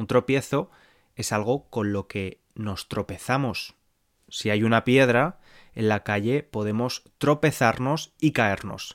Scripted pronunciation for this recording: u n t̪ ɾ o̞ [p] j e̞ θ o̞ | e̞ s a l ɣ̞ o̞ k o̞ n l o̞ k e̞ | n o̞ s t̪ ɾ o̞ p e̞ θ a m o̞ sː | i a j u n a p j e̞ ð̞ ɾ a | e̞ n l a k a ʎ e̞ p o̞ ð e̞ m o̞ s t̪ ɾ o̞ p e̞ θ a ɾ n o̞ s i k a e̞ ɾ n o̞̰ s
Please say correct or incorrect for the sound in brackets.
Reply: correct